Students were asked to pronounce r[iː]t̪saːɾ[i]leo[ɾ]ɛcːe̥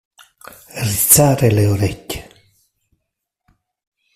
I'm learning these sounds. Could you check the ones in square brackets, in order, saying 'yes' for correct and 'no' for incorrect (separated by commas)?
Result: no, no, yes